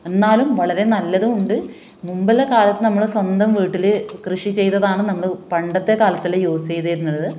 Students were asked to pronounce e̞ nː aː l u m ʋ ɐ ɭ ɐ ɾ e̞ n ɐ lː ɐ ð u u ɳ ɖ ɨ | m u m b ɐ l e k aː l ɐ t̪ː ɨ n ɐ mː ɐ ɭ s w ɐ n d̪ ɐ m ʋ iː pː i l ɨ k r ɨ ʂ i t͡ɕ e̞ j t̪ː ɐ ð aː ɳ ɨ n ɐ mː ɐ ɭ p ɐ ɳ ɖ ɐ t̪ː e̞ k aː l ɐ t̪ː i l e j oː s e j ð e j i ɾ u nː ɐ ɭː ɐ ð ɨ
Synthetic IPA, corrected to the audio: e̞ nː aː l u m ʋ ɐ ɭ ɐ ɾ e̞ n ɐ lː ɐ ð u u ɳ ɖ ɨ | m u m b ɐ l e k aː l ɐ t̪ː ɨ n ɐ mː ɐ ɭ s w ɐ n d̪ ɐ m ʋ iː ʈː i l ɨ k r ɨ ʂ i t͡ɕ e̞ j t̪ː ɐ ð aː ɳ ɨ n ɐ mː ɐ ɭ p ɐ ɳ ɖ ɐ t̪ː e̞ k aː l ɐ t̪ː i l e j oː s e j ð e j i ɾ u nː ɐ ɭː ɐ ð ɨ